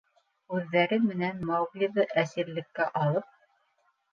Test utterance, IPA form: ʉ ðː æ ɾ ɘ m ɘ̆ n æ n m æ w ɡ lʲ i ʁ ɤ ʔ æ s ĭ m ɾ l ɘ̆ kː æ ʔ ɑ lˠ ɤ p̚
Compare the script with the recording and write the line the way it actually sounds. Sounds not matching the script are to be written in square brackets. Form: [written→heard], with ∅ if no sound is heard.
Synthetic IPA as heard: ʉ ðː æ ɾ ɘ m ɘ̆ n æ n m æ w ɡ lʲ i [ʁ→ð] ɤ ʔ æ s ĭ [m→∅] ɾ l ɘ̆ kː æ ʔ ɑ lˠ ɤ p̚

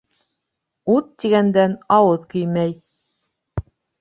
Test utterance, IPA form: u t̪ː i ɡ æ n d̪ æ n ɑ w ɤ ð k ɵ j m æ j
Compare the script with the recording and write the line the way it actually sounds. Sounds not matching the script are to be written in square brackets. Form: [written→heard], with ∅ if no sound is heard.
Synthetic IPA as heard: u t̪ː i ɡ æ n d̪ æ n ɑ w ɤ ð k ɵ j m æ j

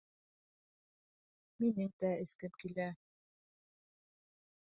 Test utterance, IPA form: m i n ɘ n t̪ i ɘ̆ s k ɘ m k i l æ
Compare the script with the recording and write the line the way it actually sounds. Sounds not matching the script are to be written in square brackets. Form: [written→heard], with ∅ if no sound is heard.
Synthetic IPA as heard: m i n ɘ [n→ŋ] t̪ [i→æ] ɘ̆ s k ɘ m k i l æ

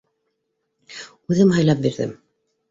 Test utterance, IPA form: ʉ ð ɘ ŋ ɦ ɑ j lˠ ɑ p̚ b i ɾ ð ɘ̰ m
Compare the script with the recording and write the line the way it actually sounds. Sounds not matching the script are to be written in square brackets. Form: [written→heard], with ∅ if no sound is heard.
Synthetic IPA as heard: ʉ ð ɘ [ŋ→m] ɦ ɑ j lˠ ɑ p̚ b i ɾ ð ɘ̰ m

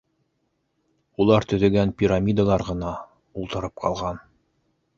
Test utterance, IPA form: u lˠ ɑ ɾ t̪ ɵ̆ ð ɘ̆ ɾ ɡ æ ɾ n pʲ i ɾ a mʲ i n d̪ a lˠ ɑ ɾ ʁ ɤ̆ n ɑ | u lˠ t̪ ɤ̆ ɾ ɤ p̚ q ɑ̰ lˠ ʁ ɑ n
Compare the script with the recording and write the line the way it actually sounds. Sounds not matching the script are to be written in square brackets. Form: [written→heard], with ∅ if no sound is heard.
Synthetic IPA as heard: u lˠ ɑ ɾ t̪ ɵ̆ ð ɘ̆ [ɾ→∅] ɡ æ [ɾ→∅] n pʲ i ɾ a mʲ i [n→∅] d̪ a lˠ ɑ ɾ ʁ ɤ̆ n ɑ | u lˠ t̪ ɤ̆ ɾ ɤ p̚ q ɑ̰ lˠ ʁ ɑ n

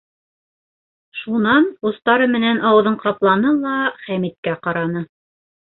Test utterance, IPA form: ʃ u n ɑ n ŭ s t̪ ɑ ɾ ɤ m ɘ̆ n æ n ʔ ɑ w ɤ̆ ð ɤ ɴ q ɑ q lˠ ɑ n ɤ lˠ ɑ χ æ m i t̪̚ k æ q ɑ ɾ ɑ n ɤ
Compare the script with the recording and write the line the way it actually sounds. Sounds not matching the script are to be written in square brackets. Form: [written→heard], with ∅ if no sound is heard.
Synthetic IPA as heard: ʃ u n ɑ n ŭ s t̪ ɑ ɾ ɤ m ɘ̆ n æ n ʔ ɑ w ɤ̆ ð ɤ ɴ q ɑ [q→p] lˠ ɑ n ɤ lˠ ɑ χ æ m i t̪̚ k æ q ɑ ɾ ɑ n ɤ

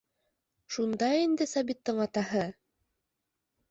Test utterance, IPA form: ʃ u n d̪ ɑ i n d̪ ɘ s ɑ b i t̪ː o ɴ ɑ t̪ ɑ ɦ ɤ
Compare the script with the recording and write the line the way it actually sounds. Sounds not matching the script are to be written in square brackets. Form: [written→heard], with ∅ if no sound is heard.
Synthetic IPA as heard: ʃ u n d̪ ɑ i n d̪ ɘ s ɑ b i t̪ː [o→ɤ] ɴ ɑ t̪ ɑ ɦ ɤ

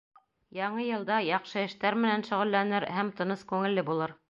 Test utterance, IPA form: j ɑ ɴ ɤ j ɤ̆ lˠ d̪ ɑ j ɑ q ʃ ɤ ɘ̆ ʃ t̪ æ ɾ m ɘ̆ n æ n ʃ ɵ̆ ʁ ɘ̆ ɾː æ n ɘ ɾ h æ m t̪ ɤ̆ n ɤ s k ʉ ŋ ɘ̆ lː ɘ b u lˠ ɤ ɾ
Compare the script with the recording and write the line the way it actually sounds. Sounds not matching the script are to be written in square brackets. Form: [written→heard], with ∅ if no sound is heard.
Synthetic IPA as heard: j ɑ ɴ ɤ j ɤ̆ lˠ d̪ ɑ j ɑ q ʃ ɤ ɘ̆ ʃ t̪ æ ɾ m ɘ̆ n æ n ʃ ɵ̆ ʁ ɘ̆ [ɾː→lː] æ n ɘ ɾ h æ m t̪ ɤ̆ n ɤ s k ʉ ŋ ɘ̆ lː ɘ b u lˠ ɤ ɾ

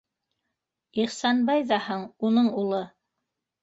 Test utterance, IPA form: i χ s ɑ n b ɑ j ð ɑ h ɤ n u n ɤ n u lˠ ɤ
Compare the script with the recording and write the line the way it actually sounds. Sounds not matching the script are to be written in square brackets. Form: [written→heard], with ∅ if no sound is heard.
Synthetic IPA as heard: i χ s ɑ n b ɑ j ð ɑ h ɤ [n→ɴ] u n ɤ [n→ɴ] u lˠ ɤ

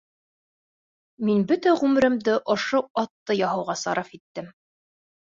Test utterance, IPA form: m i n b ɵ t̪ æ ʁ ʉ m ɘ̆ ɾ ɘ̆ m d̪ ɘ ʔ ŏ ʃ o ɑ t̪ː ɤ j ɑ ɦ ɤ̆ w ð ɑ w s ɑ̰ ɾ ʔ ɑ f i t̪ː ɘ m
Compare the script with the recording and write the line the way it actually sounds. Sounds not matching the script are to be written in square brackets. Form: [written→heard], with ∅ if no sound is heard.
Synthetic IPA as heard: m i n b ɵ t̪ æ ʁ ʉ m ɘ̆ ɾ ɘ̆ m d̪ ɘ ʔ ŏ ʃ o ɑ t̪ː ɤ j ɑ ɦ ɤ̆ w [ð→ʁ] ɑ [w→∅] s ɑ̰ ɾ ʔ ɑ f i t̪ː ɘ m

